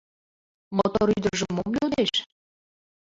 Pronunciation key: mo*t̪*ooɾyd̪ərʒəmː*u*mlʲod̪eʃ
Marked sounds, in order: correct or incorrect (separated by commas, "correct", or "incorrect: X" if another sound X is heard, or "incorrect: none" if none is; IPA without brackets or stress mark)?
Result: correct, incorrect: o